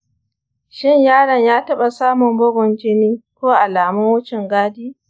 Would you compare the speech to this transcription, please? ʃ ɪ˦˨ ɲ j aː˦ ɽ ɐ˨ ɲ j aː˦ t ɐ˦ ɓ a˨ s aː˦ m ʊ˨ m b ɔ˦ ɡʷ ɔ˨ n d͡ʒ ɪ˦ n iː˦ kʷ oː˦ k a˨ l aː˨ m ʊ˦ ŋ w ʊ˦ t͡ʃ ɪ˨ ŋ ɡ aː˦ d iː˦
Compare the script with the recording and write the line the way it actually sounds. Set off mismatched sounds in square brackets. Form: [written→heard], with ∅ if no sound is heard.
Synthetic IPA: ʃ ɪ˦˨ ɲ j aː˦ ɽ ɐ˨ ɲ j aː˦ t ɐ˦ ɓ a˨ s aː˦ m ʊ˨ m b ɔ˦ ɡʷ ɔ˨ n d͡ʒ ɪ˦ n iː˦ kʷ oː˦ [k→ʔ] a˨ l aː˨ m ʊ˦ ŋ w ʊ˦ t͡ʃ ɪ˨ ŋ ɡ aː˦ d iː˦

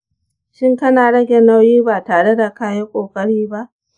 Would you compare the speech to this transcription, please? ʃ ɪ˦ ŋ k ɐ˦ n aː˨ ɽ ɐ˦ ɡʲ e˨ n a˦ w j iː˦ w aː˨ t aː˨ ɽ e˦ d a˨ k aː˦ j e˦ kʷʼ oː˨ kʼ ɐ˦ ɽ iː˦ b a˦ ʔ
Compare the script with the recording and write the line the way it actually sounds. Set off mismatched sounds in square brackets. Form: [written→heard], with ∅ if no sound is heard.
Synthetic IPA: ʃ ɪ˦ ŋ k ɐ˦ n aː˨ ɽ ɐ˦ ɡʲ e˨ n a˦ w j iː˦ [w→b] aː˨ t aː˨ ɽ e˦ d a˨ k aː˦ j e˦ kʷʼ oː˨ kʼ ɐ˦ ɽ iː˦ b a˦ ʔ

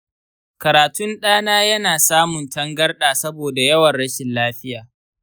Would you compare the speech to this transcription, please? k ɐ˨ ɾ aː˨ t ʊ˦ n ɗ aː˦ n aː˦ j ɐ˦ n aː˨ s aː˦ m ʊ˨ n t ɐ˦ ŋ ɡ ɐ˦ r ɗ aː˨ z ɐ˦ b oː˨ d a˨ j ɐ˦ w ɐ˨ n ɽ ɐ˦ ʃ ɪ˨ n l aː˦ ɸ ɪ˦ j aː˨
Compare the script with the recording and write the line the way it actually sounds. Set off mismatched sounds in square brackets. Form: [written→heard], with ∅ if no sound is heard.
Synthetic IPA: k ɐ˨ ɾ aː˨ t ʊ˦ n ɗ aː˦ n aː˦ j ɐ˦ n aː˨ s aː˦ m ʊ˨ n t ɐ˦ ŋ ɡ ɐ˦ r ɗ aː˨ [z→s] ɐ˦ b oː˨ d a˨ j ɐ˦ w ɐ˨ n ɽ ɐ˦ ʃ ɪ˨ n l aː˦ ɸ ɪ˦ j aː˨

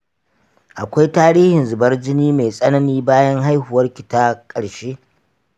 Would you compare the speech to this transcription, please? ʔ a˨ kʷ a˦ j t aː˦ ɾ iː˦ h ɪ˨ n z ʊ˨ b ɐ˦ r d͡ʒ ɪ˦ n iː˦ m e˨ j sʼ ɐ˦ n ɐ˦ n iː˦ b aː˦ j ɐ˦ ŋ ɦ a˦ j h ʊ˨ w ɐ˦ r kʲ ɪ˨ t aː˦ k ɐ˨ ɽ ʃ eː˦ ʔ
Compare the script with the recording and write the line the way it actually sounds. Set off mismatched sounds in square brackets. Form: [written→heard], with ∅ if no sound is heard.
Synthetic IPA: ʔ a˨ kʷ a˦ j t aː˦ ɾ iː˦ h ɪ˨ n z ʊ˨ b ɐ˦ r d͡ʒ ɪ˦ n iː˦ m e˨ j sʼ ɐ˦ n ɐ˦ n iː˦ b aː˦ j ɐ˦ ŋ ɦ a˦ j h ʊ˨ w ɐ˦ r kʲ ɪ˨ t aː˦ [k→kʼ] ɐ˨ ɽ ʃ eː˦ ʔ

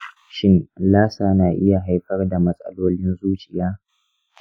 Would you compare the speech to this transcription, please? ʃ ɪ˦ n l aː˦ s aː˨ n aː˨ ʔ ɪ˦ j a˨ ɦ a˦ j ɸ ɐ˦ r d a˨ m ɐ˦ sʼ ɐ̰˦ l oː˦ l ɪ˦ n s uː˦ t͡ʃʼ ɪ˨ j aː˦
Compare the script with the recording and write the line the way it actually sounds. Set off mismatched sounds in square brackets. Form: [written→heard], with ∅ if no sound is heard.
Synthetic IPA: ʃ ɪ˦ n l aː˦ s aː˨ n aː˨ ʔ ɪ˦ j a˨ ɦ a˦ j ɸ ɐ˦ r d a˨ m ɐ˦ sʼ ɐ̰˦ l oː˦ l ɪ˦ n [s→z] uː˦ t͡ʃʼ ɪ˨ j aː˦

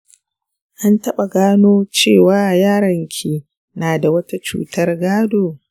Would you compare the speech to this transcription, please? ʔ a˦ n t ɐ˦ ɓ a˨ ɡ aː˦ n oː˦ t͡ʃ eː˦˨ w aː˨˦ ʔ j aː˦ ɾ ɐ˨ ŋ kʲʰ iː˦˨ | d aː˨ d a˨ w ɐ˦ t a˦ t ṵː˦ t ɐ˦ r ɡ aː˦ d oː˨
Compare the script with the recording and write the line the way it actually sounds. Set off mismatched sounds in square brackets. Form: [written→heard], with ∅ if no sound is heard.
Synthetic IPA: ʔ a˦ n t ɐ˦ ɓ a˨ ɡ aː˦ n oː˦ t͡ʃ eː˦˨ w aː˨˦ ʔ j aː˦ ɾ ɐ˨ ŋ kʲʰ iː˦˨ | [d→n] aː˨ d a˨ w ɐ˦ t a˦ [t→t͡ʃ] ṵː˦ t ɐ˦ r ɡ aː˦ d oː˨

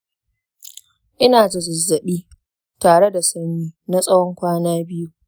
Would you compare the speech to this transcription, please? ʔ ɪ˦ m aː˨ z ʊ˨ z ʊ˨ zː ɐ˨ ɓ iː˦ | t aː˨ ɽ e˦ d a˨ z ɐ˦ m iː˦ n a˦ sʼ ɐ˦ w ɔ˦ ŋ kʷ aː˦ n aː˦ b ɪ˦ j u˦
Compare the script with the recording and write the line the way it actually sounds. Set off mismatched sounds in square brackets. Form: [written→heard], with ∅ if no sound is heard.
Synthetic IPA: ʔ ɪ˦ [m→n] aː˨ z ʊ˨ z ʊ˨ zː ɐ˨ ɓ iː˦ | t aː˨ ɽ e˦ d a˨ [z→s] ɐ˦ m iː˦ n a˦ sʼ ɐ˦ w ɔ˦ ŋ kʷ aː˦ n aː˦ b ɪ˦ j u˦

